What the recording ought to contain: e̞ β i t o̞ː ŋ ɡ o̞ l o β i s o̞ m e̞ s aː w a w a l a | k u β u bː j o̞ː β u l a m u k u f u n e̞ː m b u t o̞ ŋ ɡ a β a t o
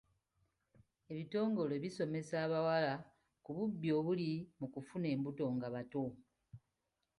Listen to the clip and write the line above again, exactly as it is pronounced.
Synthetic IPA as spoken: e̞ β i t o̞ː ŋ ɡ o̞ l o β i s o̞ m e̞ s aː β a w a l a | k u β u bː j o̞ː β u l i m u k u f u n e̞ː m b u t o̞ ŋ ɡ a β a t o